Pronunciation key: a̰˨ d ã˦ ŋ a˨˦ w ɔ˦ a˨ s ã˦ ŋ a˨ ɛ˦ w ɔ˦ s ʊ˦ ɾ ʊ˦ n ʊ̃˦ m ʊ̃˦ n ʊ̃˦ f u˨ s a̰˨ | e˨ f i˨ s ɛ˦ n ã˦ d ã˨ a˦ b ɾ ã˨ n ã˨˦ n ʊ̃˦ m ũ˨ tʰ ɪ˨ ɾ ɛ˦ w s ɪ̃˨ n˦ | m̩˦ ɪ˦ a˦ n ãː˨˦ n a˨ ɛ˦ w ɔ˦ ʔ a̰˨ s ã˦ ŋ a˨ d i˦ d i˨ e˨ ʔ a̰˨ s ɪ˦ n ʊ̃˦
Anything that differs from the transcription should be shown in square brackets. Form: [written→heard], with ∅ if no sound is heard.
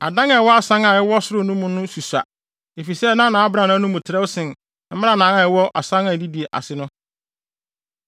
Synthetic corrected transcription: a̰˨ d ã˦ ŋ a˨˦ w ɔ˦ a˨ s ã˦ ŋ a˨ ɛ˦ w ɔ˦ s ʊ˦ ɾ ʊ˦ n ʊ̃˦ m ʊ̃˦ n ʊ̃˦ [f→s] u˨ s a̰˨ | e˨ f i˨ s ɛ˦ n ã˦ [d→n] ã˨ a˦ b ɾ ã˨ n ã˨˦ n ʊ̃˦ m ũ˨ tʰ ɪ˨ ɾ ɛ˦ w s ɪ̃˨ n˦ | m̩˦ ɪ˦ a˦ n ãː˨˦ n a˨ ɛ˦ w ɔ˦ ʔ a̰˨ s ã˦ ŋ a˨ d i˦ d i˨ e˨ ʔ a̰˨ s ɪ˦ n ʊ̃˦